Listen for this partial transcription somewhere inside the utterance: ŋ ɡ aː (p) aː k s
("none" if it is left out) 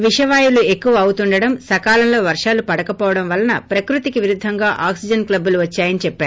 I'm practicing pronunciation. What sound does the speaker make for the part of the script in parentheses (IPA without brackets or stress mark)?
ʔ